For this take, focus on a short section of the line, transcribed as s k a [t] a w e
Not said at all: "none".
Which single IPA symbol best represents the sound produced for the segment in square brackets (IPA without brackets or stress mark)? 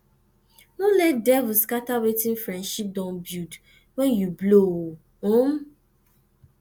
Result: t